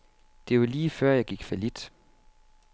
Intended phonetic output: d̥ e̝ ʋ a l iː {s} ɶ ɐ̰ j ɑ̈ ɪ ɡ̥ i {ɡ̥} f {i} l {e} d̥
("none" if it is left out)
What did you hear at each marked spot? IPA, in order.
f, ɡ̥, æ, i

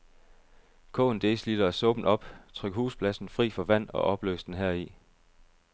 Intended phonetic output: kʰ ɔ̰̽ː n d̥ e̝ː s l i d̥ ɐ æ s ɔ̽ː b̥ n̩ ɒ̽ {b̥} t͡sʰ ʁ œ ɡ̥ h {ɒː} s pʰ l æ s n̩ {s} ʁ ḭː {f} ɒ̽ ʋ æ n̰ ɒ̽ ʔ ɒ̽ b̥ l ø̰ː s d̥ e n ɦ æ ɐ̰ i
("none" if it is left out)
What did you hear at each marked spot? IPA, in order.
b̥, uː, f, f

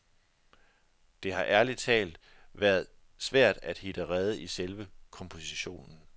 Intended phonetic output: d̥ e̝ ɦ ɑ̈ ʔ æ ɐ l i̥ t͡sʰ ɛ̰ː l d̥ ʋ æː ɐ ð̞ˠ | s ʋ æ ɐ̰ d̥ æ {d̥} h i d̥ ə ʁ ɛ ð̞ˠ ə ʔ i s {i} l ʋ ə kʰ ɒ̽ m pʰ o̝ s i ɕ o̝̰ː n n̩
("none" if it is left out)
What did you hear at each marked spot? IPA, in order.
d̥, e

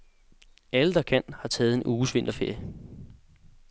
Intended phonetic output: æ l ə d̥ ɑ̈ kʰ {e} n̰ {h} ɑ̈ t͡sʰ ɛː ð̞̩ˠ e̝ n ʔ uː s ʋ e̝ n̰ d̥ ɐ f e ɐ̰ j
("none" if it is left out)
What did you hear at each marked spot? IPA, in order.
æ, h

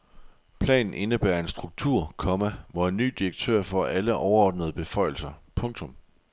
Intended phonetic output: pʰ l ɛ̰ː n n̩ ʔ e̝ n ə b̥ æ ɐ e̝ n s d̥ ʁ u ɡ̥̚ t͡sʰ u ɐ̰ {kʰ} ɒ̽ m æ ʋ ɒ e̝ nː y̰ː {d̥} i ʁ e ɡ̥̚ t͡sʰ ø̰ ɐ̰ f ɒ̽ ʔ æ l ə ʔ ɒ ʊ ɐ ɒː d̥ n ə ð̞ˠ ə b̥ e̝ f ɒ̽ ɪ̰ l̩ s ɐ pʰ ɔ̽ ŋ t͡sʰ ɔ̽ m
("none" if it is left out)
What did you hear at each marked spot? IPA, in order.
kʰ, d̥

